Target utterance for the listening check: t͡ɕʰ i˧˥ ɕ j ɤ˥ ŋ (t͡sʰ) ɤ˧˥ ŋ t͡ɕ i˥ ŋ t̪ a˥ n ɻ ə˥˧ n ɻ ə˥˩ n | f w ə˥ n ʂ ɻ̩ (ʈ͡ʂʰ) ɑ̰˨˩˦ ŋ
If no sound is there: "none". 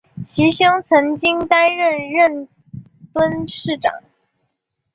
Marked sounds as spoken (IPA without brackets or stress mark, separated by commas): t͡sʰ, ʈ͡ʂ